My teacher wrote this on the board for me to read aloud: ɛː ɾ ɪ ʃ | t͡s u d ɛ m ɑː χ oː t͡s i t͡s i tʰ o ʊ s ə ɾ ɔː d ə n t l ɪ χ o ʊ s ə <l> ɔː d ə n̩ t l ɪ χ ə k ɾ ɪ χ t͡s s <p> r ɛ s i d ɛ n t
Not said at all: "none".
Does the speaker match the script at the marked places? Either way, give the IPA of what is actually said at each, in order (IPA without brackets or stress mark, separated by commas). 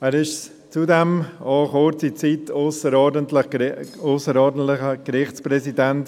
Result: ɾ, p